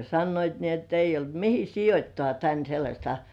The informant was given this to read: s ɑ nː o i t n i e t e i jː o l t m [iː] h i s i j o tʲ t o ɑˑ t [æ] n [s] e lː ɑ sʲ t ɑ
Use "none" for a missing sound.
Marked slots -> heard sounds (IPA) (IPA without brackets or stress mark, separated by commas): i, æ, s